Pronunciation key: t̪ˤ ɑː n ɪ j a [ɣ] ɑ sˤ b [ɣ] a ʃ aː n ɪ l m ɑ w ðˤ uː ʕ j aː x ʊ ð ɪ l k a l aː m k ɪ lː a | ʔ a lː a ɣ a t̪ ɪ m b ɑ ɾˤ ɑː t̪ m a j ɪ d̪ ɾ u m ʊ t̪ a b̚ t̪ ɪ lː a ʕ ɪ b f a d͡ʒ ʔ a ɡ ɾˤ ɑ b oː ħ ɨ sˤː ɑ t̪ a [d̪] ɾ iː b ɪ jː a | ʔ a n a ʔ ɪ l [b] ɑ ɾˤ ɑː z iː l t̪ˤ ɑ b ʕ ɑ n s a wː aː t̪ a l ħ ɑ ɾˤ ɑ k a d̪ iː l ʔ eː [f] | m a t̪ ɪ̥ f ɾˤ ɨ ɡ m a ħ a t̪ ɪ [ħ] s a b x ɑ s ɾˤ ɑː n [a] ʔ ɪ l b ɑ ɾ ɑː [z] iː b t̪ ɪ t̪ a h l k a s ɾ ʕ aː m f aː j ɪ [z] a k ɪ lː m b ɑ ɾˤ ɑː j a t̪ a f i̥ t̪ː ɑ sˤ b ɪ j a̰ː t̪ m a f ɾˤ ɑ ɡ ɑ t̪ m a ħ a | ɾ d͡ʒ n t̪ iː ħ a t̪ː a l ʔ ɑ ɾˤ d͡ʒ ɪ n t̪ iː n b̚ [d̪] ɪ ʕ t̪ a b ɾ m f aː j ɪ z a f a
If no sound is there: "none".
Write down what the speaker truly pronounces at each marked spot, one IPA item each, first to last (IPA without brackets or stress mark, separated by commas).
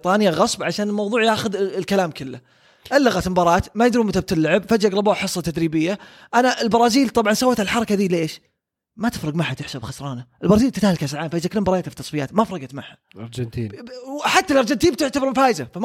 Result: ɣ, ʕ, d̪, b, ʃ, ħ, a, z, z, t̪